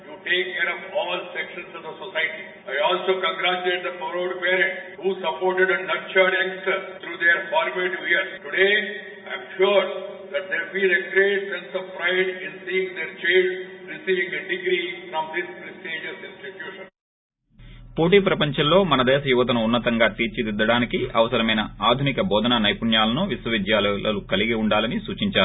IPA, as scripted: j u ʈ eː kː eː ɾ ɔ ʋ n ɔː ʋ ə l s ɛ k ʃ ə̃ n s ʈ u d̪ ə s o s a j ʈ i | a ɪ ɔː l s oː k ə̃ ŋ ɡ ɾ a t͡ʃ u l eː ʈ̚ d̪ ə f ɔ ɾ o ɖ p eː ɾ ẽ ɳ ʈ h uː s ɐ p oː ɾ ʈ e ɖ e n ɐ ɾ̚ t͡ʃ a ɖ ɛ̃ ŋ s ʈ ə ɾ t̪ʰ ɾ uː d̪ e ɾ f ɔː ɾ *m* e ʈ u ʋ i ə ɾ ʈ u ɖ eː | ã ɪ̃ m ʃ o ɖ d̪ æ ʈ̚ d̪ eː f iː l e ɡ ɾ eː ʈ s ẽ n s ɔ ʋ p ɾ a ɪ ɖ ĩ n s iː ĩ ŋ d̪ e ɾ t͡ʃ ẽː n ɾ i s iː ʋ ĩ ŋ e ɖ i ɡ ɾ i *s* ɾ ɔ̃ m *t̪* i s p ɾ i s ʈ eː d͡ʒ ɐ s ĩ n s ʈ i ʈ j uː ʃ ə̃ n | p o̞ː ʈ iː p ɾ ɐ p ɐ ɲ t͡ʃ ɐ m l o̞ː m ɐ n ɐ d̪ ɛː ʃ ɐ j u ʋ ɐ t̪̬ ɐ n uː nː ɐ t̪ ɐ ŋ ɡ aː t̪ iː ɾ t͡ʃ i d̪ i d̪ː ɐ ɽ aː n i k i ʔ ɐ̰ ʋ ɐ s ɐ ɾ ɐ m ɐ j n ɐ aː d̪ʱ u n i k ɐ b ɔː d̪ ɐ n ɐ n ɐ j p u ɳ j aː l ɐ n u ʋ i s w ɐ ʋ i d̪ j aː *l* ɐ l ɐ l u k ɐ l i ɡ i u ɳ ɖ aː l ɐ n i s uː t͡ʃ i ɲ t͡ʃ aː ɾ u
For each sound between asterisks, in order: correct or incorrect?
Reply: correct, incorrect, incorrect, correct

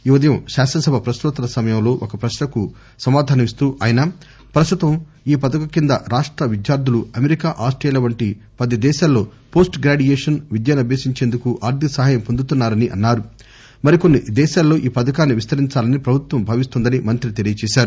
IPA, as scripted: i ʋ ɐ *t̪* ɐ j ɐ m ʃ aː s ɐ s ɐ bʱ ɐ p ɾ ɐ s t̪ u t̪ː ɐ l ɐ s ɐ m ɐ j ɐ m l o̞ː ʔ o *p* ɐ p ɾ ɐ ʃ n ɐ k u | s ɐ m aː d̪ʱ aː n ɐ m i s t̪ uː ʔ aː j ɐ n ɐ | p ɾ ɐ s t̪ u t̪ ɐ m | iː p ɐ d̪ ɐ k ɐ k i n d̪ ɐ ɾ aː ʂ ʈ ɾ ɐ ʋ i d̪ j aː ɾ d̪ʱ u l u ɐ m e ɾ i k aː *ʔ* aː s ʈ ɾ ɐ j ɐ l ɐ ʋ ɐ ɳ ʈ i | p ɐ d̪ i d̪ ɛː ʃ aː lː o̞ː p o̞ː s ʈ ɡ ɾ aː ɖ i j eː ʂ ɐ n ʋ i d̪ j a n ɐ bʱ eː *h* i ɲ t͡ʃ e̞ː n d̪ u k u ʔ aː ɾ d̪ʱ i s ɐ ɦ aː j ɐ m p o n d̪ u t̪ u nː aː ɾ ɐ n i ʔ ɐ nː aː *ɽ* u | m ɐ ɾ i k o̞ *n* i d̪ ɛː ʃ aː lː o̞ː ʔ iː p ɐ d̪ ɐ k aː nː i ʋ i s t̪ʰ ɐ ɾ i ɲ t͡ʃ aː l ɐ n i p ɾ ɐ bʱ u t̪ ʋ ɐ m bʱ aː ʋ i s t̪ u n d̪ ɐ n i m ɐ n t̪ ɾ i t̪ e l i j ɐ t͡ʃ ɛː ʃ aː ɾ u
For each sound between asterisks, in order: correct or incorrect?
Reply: incorrect, incorrect, correct, incorrect, incorrect, incorrect

